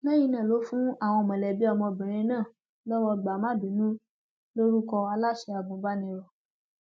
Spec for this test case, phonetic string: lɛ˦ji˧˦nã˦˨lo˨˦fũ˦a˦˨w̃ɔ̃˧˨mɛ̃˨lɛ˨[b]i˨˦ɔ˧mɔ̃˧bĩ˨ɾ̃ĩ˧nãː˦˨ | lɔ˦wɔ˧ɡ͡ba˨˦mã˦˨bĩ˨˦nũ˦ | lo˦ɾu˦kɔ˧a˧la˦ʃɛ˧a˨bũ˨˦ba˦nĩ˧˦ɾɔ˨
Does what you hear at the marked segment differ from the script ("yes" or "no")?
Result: no